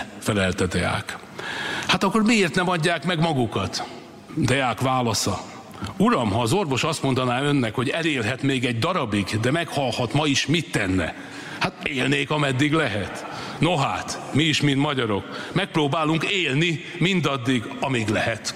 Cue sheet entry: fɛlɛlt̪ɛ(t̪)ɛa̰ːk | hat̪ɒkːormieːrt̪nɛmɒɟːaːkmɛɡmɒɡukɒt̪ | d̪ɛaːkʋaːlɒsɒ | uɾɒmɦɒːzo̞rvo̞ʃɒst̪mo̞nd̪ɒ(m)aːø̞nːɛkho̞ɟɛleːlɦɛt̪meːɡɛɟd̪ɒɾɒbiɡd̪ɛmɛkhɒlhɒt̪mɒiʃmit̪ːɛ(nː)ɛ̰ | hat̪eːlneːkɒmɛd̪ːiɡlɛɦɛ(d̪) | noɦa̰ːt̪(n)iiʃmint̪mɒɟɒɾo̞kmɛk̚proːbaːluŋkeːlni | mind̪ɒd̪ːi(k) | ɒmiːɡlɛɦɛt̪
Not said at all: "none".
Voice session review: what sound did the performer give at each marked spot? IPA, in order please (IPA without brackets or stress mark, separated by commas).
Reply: d̪, n, nː, t̪, m, ɡ